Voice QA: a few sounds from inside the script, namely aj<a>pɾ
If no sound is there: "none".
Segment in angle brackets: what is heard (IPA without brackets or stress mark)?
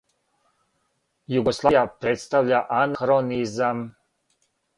a